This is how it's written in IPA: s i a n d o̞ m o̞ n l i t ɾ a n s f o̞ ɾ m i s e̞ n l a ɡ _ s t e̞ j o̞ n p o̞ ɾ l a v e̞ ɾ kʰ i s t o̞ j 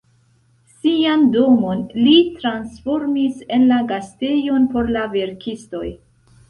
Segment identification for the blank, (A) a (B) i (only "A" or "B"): A